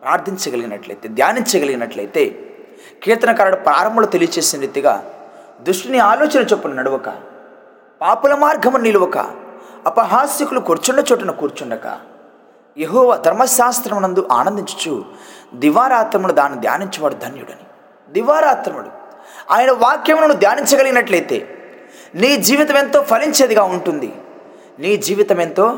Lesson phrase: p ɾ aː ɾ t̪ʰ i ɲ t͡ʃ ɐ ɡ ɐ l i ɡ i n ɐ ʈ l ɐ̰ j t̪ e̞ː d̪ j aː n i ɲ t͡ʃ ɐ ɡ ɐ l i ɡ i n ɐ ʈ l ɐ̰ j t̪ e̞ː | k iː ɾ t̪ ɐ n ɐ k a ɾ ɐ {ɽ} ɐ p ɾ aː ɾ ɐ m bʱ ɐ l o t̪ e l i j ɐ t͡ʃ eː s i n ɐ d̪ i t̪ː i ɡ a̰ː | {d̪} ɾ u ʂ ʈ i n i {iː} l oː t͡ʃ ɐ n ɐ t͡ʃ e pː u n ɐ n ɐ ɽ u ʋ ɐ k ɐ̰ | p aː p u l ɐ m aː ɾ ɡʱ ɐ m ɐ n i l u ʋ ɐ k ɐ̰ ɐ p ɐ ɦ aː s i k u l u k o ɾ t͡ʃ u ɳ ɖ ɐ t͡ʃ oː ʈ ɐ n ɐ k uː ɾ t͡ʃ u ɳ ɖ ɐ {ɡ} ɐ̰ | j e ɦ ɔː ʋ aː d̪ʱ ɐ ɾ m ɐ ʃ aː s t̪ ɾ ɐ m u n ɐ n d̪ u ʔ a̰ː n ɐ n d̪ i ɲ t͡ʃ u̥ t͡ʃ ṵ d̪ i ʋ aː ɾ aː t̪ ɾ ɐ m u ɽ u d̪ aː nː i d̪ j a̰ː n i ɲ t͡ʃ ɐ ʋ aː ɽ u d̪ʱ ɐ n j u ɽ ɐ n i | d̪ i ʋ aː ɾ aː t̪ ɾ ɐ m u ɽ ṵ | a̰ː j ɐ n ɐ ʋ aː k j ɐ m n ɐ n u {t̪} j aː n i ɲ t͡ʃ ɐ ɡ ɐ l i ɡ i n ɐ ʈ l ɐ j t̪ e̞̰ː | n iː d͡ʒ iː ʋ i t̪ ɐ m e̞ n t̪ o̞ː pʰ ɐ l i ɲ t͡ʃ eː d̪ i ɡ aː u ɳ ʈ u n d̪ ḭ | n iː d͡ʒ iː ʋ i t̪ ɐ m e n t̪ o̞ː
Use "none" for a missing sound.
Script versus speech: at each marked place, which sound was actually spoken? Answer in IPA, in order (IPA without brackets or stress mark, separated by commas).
ɽ, d̪, aː, k, d̪